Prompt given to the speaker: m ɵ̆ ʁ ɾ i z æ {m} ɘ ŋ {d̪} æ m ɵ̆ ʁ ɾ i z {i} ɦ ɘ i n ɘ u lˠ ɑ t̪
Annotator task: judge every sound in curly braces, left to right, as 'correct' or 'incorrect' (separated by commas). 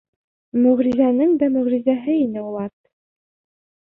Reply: incorrect, correct, incorrect